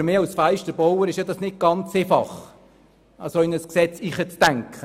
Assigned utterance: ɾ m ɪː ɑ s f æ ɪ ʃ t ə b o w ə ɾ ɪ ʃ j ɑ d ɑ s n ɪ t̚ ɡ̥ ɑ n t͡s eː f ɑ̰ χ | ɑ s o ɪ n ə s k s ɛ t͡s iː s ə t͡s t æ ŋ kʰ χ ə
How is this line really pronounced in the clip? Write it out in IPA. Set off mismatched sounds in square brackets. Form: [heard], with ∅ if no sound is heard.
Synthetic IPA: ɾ m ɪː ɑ s f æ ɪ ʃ t ə b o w ə ɾ ɪ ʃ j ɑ d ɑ s n ɪ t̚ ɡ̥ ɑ n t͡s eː f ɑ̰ χ | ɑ s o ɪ n ə s k s ɛ t͡s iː [χ] ə t͡s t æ ŋ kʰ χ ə